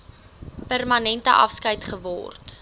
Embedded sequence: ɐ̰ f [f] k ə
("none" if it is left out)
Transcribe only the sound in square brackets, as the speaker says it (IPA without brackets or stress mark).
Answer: s